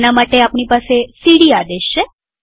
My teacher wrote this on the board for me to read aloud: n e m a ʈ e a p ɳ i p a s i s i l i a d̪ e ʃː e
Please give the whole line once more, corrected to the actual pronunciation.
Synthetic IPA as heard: n a m a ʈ e a p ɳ i p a s e s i ɽ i a d̪ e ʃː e